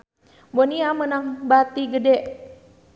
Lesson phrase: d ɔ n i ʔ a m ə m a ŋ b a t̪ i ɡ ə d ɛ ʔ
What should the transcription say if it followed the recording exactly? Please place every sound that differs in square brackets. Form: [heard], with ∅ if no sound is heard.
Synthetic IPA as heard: [b] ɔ n i [∅] a m ə [n] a ŋ b a t̪ i ɡ ə d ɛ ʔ